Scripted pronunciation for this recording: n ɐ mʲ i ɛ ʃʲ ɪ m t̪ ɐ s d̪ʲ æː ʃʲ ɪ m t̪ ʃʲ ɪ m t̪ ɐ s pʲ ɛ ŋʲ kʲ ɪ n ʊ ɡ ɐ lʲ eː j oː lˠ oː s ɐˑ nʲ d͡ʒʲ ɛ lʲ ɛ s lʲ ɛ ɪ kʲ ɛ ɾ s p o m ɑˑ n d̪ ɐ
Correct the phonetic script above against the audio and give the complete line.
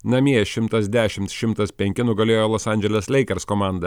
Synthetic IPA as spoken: n ɐ mʲ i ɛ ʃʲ ɪ m t̪ ɐ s d̪ʲ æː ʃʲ ɪ m t̪ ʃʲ ɪ m t̪ ɐ s pʲ ɛ ŋʲ kʲ ɪ n ʊ ɡ ɐ lʲ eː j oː lˠ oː s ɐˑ nʲ d͡ʒʲ ɛ lʲ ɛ s lʲ ɛ ɪ kʲ ɛ ɾ s k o m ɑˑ n d̪ ɐ